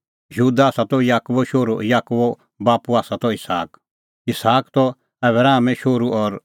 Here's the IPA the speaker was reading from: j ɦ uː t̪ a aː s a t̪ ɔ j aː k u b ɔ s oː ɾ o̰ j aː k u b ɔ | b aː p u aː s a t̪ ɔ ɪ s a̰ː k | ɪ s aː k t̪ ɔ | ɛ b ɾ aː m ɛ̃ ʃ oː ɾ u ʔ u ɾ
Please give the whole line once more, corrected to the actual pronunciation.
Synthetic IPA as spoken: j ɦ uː d̪ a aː s a t̪ ɔ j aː k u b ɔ ʃ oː ɾ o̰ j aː k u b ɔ | b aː p u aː s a t̪ ɔ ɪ s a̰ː k | ɪ s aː k t̪ ɔ | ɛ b ɾ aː m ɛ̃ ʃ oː ɾ u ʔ ɔ ɾ